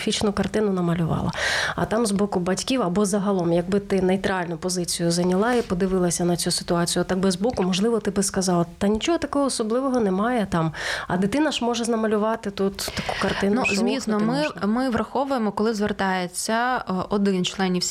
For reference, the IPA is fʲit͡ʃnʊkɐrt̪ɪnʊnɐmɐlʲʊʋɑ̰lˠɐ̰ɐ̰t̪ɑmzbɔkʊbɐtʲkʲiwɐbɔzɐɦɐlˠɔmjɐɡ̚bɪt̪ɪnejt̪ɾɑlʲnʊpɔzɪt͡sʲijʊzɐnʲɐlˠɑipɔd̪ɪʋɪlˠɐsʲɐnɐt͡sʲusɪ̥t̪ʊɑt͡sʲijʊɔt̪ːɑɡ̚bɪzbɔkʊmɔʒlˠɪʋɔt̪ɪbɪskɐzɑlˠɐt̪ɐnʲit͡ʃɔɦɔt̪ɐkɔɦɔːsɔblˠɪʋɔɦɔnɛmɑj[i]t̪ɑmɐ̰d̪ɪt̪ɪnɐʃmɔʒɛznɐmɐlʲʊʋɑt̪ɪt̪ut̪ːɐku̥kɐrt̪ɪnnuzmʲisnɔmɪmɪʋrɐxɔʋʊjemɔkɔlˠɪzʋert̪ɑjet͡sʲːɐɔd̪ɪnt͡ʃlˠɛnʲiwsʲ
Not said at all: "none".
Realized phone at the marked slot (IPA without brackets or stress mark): ɛ